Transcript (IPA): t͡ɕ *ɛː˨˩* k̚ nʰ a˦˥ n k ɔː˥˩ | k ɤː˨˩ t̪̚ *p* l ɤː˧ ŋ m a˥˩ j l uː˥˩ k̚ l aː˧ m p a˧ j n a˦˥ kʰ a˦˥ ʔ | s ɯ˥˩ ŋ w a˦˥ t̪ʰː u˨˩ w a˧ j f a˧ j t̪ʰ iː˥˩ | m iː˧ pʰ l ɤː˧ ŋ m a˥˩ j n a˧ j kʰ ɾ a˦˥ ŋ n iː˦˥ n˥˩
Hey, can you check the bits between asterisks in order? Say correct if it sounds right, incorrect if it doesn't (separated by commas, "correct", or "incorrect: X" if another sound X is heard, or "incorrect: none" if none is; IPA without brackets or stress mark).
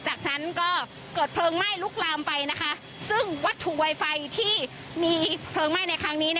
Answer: incorrect: aː˨˩, incorrect: pʰ